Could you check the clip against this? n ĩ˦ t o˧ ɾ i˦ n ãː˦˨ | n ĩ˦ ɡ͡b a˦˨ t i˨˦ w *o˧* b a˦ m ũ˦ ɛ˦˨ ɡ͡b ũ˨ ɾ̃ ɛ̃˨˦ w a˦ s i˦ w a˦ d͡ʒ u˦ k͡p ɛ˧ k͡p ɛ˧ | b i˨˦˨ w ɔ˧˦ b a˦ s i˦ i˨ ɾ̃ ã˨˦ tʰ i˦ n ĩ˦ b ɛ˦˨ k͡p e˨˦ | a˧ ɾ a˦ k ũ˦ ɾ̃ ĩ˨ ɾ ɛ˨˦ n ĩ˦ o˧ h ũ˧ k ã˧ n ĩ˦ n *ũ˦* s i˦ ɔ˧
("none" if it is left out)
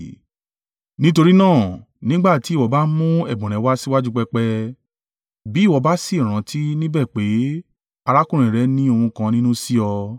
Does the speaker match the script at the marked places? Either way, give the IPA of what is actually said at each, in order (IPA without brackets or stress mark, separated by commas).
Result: ɔ˧, ũ˦